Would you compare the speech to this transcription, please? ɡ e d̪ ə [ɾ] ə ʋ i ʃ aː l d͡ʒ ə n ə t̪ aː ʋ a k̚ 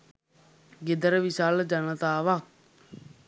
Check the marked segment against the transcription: correct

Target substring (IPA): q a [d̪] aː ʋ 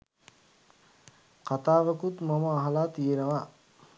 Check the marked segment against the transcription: incorrect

